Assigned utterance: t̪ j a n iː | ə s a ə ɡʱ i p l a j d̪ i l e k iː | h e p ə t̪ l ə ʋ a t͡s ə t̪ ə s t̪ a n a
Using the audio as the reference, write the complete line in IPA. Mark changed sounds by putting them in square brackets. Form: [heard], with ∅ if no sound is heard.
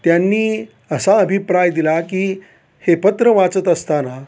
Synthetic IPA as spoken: t̪ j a [nː] iː | ə s a ə [bʱ] i p [ɾ] a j d̪ i l [a] k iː | h e p ə t̪ [ɾ] ə ʋ a t͡s ə t̪ ə s t̪ a n a